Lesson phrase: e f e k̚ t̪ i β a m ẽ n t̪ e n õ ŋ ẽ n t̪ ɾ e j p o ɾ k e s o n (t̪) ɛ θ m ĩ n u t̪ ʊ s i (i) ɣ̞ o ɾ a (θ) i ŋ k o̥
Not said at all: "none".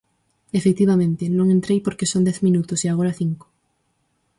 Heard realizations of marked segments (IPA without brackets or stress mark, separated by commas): d̪, a, θ